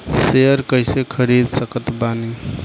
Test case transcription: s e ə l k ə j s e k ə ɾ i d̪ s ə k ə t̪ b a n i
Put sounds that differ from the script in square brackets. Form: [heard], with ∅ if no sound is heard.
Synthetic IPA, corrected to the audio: s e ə [ɾ] k ə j s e [kʰ] ə ɾ i d̪ s ə k ə t̪ b a n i